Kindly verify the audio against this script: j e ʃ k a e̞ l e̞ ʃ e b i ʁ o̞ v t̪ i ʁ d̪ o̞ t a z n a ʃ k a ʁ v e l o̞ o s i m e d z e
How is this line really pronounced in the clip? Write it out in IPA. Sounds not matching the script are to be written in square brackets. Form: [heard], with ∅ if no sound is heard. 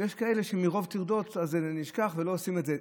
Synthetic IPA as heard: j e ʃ k a e̞ l e̞ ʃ e [m] i ʁ o̞ v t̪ i ʁ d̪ o̞ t a z n [i] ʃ k a [χ] v e l o̞ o s i m e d z e

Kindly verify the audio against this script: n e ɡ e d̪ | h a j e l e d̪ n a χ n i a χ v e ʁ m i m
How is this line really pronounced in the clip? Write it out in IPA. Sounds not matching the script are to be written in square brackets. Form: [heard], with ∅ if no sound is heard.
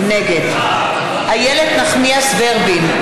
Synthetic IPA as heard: n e ɡ e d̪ | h a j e l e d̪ n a χ n i a [s] v e ʁ [b] i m

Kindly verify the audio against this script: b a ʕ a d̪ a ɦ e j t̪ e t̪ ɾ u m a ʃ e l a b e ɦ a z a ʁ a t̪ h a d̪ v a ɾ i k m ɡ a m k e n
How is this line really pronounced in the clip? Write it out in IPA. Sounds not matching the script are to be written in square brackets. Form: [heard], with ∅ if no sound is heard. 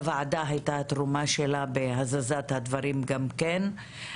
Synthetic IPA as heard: [v] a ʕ a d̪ a ɦ [a] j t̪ [a] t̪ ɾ u m a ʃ e l a b e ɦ a z a [z] a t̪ h a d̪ v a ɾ i [∅] m ɡ a m k e n

